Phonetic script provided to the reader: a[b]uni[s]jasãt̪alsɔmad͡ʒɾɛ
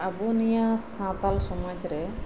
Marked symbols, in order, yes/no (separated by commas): yes, no